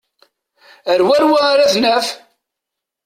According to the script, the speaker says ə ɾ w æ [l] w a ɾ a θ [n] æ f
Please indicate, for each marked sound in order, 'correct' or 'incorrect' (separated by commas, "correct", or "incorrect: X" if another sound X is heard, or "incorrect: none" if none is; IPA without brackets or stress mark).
incorrect: ɾ, correct